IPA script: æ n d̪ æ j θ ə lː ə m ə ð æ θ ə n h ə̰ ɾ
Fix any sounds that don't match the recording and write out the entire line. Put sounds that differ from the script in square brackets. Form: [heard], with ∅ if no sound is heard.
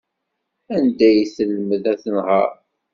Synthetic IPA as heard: æ n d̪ æ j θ ə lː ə m ə ð æ θ ə n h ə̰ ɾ